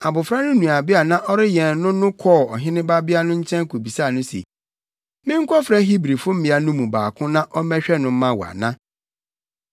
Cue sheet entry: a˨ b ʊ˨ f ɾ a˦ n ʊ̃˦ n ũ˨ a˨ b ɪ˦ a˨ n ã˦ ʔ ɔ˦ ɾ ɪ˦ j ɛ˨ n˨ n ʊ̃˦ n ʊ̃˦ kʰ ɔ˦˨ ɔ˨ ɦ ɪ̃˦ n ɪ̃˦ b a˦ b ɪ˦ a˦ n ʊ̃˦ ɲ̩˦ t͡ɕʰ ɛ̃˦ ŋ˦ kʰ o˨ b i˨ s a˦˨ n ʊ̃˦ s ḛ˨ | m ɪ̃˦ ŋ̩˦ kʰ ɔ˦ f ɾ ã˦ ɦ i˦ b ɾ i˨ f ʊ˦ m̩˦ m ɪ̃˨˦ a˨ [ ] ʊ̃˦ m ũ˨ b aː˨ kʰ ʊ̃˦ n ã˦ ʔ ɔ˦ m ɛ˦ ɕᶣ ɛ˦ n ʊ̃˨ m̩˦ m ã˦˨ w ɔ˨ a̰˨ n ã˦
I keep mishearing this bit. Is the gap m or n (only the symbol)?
n